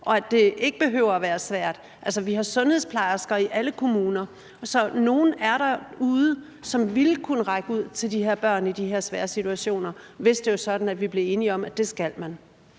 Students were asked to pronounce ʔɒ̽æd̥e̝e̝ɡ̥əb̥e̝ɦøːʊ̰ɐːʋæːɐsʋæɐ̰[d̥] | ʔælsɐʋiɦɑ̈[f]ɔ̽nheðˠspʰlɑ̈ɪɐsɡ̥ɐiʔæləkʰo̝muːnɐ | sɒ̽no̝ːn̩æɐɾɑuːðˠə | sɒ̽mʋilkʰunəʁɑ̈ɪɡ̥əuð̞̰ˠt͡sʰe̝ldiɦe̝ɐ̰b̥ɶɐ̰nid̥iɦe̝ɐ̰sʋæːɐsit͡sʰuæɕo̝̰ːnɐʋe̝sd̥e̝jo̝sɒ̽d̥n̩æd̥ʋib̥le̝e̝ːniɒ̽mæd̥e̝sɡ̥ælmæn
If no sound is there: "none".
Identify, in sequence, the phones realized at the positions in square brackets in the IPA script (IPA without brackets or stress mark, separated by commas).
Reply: d̥, s